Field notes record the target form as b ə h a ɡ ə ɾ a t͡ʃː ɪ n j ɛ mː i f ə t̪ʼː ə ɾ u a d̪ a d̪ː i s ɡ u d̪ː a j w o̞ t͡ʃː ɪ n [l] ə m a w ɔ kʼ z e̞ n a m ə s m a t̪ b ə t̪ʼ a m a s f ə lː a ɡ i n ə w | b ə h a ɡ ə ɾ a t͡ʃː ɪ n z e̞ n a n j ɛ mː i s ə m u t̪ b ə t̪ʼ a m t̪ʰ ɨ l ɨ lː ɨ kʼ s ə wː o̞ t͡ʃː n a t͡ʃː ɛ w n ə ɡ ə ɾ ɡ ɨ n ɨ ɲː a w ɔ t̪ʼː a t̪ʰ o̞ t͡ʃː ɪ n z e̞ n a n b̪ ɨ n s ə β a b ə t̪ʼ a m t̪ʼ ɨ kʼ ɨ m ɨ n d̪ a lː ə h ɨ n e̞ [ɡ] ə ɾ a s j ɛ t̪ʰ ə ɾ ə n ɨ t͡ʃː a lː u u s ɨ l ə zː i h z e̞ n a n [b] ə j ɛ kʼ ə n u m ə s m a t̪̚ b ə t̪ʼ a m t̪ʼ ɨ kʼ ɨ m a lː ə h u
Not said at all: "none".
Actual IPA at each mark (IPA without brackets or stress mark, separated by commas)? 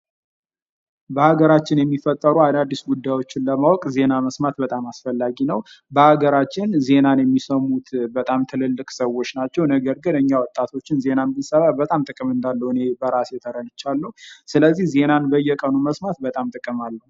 l, b, b